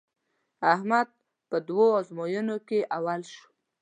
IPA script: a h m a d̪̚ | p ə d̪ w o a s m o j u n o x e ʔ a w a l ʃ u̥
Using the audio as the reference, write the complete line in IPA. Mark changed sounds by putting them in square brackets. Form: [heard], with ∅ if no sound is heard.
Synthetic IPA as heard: a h m a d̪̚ | p ə d̪ w o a [z] m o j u n o [k] e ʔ a w a l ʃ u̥